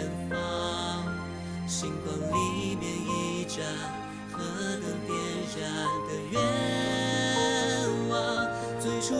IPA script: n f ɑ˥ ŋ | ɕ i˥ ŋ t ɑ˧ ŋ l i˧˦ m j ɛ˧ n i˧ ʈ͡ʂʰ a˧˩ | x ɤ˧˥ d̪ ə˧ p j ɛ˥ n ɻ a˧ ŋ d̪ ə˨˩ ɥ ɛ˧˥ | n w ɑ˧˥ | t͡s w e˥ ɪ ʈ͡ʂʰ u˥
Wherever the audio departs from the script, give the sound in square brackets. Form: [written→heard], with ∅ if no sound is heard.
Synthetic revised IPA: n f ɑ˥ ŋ | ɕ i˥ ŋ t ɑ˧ ŋ l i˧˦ m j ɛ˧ n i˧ [ʈ͡ʂʰ→ʈ͡ʂ] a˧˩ | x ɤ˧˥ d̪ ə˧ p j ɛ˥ n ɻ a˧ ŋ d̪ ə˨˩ ɥ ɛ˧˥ | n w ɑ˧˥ | t͡s w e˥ ɪ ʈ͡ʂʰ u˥